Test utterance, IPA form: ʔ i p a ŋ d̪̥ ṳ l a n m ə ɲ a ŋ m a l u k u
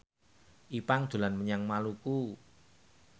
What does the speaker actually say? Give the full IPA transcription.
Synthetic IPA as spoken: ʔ i p a ŋ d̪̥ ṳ l a n m ə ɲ a ŋ m a l u k u